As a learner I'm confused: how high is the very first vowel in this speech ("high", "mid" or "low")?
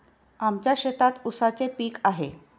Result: low